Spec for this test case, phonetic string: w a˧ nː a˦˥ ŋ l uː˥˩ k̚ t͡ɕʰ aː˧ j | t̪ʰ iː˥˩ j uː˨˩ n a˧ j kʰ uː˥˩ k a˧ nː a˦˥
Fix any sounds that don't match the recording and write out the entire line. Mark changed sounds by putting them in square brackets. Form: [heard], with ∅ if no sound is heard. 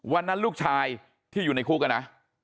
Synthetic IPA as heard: w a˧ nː a˦˥ [n] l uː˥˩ k̚ t͡ɕʰ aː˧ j | t̪ʰ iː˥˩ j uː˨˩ n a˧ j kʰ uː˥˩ k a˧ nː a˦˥